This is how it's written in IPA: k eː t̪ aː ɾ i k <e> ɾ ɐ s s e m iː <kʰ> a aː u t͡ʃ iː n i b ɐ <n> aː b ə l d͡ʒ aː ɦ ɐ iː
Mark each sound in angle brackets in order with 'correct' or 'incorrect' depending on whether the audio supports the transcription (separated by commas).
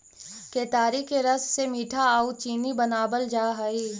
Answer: correct, incorrect, correct